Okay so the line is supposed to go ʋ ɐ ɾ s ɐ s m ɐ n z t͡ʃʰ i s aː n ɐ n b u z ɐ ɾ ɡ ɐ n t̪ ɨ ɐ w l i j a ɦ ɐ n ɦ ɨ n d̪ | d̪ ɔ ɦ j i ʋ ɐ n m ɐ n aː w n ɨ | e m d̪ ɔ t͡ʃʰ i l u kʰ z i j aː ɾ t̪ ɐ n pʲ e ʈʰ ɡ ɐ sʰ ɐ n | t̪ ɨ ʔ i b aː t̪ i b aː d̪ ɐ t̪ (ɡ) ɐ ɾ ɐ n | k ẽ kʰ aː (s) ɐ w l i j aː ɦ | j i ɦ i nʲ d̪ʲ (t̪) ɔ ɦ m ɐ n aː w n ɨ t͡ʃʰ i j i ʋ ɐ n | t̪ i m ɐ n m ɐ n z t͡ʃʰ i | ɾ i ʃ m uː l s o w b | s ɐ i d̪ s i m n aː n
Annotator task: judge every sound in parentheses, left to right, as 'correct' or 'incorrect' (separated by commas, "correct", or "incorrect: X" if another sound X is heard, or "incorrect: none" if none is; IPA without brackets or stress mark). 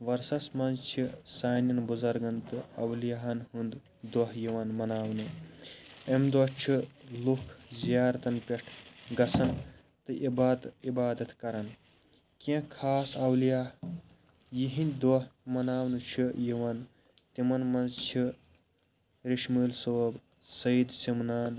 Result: incorrect: k, correct, incorrect: d̪